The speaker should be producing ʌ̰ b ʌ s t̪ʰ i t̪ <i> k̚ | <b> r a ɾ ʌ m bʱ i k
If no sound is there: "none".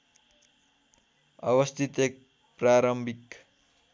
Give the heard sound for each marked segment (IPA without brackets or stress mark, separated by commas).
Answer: e, p